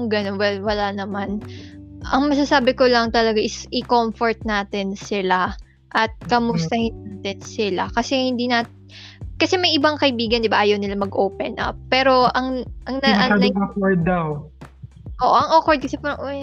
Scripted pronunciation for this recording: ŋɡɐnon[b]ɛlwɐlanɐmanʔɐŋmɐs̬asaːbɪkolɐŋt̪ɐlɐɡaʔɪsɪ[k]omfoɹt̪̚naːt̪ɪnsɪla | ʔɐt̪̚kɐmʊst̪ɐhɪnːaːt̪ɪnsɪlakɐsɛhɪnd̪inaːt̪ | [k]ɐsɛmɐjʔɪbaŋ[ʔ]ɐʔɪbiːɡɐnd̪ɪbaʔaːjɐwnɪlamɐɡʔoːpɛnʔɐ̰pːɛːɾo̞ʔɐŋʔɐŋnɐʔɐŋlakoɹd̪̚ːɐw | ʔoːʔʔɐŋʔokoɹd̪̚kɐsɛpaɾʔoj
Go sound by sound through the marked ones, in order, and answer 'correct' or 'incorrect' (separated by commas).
incorrect, correct, correct, incorrect